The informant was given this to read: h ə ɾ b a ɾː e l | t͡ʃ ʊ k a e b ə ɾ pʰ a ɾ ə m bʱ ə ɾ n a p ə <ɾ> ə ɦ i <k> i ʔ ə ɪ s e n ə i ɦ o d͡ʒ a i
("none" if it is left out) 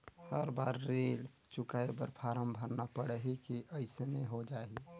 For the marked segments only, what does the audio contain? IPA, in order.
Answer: ɽ, k

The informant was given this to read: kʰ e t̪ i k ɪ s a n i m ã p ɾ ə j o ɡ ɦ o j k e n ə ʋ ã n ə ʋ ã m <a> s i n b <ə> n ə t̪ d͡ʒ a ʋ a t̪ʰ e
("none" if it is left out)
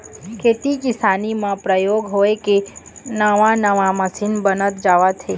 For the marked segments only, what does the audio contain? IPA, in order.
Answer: ə, ə

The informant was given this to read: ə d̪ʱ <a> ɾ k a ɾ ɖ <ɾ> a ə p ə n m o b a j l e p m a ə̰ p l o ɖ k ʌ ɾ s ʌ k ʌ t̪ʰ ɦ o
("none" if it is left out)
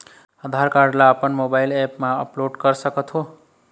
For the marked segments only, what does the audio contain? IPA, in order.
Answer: a, l

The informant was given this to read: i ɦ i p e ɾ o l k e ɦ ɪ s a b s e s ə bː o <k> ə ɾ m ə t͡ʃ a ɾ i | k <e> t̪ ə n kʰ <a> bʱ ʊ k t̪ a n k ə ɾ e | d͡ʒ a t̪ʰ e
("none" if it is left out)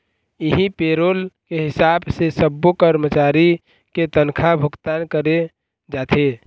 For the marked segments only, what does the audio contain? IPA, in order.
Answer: k, e, a

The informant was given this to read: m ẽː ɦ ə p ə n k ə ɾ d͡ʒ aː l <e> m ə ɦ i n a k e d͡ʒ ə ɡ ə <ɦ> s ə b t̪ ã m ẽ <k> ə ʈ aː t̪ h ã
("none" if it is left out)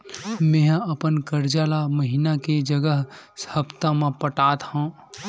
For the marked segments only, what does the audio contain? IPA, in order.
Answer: a, ɦ, p

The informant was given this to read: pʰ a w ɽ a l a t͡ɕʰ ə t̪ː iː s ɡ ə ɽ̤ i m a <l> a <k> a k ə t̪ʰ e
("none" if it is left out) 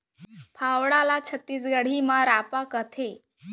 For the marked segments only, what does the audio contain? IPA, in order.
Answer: ɾ, p

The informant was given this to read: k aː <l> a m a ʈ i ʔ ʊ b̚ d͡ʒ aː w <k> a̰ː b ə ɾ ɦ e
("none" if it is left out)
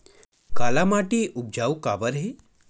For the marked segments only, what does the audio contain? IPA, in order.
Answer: l, k

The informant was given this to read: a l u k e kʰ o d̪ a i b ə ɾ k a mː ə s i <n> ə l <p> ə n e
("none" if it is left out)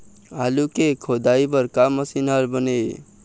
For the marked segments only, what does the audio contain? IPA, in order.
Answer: n, b

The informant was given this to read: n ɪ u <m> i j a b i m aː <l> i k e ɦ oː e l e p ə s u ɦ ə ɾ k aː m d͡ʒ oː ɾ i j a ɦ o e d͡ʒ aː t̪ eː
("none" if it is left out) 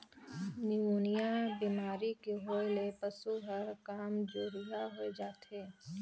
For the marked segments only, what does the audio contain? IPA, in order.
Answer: n, ɾ

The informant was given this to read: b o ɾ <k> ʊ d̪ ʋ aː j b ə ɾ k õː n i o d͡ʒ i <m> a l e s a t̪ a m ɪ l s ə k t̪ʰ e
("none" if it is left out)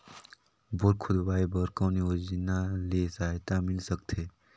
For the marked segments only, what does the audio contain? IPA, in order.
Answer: kʰ, n

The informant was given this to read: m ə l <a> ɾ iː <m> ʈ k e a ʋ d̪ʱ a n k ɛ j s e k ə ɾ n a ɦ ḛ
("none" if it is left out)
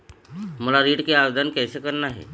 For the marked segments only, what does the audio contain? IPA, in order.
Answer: a, none

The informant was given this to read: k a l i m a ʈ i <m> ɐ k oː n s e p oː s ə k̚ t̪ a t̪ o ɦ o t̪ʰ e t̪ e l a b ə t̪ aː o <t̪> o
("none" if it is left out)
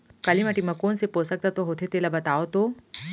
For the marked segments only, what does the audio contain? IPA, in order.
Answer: m, t̪

